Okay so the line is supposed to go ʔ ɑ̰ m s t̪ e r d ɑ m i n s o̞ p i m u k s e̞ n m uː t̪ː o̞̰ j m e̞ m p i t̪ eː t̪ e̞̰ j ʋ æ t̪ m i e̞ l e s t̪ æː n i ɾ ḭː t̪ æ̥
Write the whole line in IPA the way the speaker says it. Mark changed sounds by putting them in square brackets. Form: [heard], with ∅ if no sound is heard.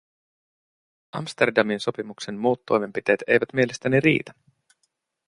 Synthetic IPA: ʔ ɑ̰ m s t̪ e r d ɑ m i n s o̞ p i m u k s e̞ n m uː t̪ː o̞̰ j m e̞ m p i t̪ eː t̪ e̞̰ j ʋ æ t̪ m i e̞ l e s t̪ [æ] n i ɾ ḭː t̪ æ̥